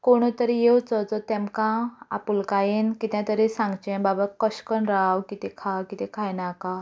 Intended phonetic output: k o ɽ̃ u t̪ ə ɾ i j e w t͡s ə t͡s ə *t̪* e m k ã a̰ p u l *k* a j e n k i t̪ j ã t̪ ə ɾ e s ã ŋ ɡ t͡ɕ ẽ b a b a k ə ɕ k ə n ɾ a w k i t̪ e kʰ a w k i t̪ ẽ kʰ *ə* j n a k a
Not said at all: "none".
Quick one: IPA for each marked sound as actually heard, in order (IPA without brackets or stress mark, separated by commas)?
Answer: t̪, k, a